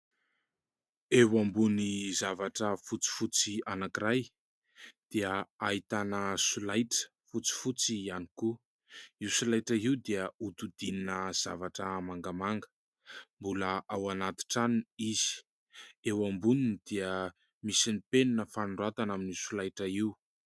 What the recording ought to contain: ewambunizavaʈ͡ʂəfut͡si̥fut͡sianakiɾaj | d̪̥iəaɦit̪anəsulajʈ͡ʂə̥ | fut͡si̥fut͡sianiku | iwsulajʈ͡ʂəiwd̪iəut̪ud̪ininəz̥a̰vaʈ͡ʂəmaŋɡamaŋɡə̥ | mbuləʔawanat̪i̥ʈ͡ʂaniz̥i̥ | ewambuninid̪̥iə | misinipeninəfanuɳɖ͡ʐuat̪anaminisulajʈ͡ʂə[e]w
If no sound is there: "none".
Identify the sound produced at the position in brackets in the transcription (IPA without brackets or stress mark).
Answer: i